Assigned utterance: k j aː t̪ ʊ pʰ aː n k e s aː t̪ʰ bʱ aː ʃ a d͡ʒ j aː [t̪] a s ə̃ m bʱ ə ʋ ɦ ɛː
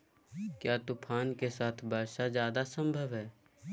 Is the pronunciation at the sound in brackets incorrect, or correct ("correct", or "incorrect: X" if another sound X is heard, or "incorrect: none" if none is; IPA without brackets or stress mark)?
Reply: incorrect: d̪